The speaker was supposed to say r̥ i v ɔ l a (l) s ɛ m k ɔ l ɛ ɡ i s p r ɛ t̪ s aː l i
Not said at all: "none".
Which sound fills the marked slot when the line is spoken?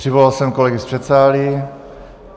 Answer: l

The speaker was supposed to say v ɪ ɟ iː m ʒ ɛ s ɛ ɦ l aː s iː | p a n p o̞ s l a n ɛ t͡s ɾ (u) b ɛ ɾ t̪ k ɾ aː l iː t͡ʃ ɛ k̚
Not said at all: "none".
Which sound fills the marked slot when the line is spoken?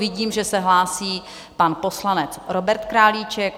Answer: o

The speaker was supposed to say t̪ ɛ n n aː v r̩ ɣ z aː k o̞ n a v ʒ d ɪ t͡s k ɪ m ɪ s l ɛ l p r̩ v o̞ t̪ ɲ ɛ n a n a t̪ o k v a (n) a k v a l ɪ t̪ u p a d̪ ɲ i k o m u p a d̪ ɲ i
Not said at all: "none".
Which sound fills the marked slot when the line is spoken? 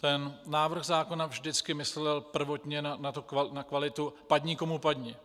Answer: n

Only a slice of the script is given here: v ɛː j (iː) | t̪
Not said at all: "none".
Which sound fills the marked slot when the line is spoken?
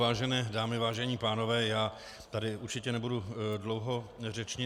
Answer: aː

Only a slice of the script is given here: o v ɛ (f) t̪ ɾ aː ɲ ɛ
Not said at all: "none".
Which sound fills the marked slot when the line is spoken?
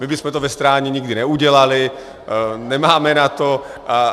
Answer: s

